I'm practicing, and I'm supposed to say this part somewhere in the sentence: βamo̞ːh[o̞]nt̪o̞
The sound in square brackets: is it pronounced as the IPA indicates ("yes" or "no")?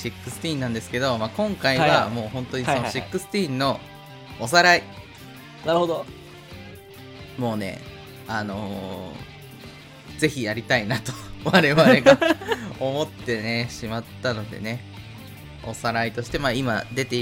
no